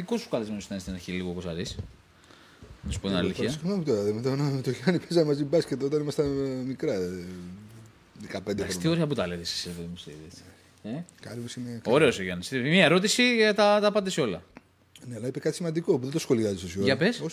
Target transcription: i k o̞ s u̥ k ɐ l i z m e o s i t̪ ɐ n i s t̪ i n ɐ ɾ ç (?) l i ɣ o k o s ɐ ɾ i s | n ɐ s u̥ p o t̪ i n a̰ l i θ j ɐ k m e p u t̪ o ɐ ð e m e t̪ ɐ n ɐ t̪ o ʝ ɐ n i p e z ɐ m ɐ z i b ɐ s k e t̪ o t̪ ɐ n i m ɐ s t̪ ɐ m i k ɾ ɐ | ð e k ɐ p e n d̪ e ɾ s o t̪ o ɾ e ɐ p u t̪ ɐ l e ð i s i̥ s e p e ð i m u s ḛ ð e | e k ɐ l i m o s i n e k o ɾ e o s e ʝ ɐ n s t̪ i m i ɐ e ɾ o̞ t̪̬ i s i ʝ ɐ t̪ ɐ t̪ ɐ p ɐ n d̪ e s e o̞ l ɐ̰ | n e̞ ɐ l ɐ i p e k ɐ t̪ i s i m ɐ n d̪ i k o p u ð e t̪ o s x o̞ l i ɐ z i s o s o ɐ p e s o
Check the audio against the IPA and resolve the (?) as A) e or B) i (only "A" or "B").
B